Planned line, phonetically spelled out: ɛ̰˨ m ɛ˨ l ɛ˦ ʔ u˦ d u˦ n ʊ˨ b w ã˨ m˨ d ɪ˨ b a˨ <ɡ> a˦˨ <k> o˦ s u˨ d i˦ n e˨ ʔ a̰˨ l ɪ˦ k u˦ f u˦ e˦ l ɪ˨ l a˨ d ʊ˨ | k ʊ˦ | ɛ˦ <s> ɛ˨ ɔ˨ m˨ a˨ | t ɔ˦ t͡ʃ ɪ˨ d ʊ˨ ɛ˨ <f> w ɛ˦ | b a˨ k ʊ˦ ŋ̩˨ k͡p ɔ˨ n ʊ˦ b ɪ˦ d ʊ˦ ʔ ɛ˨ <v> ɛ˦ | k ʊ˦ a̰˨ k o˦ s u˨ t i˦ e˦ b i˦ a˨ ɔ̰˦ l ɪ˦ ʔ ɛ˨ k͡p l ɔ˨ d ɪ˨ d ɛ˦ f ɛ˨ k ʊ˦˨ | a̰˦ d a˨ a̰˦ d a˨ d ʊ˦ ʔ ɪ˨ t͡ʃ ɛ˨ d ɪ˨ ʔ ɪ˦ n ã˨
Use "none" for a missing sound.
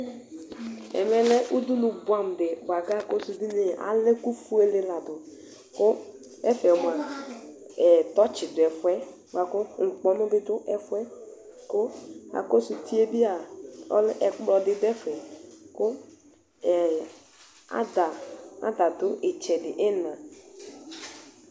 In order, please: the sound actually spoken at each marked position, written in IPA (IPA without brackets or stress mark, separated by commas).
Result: ɡ, k, f, f, f